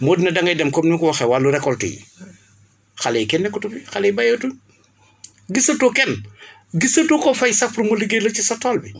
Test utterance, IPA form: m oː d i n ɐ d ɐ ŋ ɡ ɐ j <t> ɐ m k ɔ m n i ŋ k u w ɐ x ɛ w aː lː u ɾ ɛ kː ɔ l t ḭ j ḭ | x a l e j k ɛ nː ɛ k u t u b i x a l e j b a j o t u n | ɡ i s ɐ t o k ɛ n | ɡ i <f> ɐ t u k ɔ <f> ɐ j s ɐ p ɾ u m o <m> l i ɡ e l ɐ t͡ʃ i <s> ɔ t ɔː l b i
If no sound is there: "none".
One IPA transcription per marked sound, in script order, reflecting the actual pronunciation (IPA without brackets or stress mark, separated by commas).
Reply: d, s, f, none, s